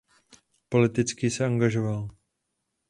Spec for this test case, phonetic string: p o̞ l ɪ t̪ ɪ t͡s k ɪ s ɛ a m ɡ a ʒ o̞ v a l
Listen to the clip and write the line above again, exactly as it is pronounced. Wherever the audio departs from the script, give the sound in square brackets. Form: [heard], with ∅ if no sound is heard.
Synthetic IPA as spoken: p o̞ l ɪ t̪ ɪ t͡s k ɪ s ɛ a [ŋ] ɡ a ʒ o̞ v a l